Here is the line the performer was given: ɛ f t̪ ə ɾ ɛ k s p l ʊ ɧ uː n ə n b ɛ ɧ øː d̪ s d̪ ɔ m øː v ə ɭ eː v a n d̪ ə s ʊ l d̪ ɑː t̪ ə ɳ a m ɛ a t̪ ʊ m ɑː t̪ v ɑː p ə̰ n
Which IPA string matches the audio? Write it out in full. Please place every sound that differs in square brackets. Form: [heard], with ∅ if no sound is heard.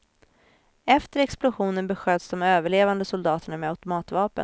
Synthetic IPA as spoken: ɛ f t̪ ə ɾ ɛ k s p l ʊ ɧ uː n ə n b ɛ ɧ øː d̪ s d̪ ɔ m øː v ə ɭ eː v a n d̪ ə s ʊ l d̪ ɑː t̪ ə ɳ a m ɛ a t̪ ʊ m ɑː t̪ v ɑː p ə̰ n